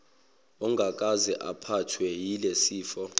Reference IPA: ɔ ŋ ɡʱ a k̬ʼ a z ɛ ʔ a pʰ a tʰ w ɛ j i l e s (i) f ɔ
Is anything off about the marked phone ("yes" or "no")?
yes